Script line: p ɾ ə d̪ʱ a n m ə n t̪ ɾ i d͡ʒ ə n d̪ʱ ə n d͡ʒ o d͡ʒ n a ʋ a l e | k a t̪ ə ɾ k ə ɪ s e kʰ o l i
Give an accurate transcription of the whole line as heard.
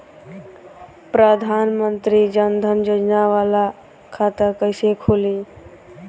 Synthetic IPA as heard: p ɾ ə d̪ʱ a n m ə n t̪ ɾ i d͡ʒ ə n d̪ʱ ə n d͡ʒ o d͡ʒ n a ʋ a l a | kʰ a t̪ ə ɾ k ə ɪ s e kʰ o l i